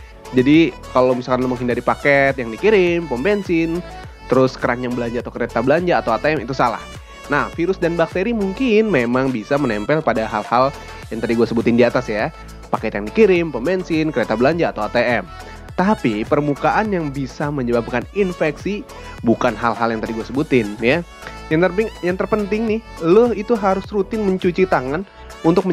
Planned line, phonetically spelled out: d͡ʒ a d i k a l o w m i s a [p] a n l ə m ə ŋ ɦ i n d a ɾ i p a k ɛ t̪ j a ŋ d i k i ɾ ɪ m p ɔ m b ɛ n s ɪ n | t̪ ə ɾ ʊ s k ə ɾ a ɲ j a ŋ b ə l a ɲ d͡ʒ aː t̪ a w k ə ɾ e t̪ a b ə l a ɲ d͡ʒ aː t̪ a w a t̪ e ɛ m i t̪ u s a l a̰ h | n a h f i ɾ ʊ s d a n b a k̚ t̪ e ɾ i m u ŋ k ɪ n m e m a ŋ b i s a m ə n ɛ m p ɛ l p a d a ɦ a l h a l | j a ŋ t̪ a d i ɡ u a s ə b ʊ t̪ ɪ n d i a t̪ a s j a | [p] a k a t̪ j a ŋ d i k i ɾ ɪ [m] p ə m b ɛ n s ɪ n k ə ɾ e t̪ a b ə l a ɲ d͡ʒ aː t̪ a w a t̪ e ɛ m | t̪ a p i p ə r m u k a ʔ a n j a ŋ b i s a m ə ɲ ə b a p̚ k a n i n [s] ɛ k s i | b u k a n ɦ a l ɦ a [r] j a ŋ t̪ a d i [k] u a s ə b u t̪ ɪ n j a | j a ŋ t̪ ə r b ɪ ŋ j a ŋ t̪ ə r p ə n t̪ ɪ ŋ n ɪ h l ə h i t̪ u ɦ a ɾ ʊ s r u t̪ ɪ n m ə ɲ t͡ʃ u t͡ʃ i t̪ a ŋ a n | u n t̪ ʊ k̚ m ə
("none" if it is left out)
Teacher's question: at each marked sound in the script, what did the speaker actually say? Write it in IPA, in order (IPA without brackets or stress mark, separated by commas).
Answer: k, p, m, f, l, ɡ